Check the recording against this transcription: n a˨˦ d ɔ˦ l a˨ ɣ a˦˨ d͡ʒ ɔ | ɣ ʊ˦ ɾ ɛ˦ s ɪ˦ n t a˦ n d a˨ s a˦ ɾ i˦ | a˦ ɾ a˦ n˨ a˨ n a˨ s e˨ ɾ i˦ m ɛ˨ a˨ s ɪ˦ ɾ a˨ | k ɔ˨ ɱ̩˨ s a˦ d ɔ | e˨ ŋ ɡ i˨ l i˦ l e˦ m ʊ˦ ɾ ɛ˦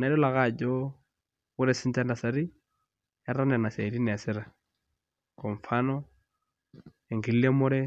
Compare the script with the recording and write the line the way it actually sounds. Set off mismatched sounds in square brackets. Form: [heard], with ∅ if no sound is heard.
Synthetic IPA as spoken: n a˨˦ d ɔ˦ l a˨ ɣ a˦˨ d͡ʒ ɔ | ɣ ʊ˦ ɾ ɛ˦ s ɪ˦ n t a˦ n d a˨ s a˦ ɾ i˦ | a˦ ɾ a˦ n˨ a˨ n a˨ s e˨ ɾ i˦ [n] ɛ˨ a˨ s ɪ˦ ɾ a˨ | k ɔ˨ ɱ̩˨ [f] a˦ [n] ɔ | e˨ ŋ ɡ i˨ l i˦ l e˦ m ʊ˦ ɾ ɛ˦